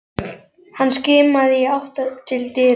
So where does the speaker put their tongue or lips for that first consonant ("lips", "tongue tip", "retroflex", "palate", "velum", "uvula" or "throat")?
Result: throat